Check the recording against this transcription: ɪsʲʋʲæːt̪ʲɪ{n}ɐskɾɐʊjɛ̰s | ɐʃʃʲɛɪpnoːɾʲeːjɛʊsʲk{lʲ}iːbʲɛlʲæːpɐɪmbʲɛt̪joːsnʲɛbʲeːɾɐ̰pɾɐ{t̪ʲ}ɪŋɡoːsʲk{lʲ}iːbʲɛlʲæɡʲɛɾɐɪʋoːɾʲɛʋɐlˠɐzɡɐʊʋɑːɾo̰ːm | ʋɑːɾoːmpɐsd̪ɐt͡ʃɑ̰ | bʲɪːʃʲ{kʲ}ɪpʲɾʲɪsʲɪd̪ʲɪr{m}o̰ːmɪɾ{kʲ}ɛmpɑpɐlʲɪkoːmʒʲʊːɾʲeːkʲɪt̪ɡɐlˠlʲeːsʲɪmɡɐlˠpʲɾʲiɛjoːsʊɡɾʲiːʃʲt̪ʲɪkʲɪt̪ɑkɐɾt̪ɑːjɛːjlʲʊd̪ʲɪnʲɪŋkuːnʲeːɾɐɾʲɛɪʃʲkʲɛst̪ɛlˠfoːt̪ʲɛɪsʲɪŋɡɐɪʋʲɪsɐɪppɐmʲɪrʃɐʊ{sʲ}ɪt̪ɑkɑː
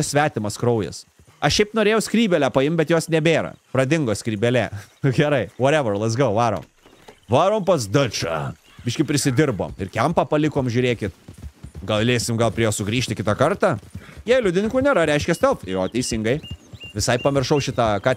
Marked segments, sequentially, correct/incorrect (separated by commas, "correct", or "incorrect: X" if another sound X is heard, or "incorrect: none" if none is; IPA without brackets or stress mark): incorrect: m, incorrect: ɾʲ, incorrect: d̪ʲ, incorrect: ɾʲ, correct, incorrect: b, correct, incorrect: ʃʲ